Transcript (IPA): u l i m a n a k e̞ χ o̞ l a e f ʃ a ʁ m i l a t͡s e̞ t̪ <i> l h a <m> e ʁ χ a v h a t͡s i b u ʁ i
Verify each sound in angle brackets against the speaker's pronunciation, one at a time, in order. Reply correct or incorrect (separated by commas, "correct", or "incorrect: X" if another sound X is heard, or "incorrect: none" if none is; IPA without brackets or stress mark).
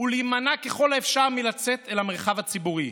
incorrect: e, correct